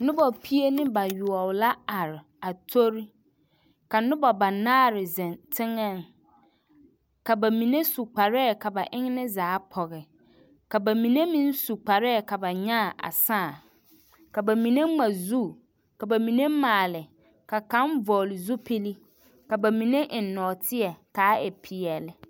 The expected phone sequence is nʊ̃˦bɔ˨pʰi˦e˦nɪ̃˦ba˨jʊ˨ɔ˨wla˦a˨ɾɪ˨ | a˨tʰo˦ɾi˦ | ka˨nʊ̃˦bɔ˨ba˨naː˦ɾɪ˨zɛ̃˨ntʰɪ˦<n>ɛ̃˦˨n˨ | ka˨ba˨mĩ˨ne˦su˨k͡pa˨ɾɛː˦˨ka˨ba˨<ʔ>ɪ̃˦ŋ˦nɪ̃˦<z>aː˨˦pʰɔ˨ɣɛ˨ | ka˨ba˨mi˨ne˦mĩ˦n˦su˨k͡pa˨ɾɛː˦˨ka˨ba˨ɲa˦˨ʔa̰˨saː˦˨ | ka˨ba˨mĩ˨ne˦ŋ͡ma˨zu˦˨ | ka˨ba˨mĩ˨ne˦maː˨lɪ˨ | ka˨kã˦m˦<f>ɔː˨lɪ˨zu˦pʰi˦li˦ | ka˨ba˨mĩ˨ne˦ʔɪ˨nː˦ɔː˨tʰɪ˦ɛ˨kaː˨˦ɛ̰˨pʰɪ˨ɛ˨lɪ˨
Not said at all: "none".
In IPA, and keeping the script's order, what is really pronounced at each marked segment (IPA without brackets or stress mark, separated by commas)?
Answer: ŋ, ʔ, z, v